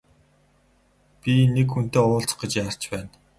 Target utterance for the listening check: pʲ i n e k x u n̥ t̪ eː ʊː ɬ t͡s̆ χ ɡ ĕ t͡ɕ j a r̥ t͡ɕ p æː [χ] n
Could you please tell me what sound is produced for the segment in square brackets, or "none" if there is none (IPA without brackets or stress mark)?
none